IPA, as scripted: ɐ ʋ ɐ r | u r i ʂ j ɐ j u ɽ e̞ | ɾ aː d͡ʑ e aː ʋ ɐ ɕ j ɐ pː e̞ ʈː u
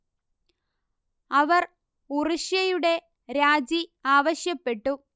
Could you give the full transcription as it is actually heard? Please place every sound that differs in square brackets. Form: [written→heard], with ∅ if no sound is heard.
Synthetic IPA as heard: ɐ ʋ ɐ r | u r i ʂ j ɐ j u ɽ e̞ | ɾ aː d͡ʑ [e→i] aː ʋ ɐ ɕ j ɐ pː e̞ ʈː u